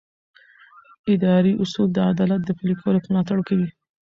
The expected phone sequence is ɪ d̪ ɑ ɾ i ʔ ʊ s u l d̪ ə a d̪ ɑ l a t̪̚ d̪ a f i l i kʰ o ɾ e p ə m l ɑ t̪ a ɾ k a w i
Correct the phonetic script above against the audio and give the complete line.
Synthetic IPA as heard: ɪ d̪ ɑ ɾ i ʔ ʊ s u l d̪ ə a d̪ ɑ l a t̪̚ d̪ ə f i l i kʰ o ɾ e p ə m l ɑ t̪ a ɽ k a w i